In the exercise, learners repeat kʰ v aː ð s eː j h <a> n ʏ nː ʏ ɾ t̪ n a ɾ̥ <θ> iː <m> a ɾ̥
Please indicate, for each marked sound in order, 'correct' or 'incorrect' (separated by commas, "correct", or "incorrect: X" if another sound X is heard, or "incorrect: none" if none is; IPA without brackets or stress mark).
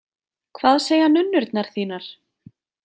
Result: correct, correct, incorrect: n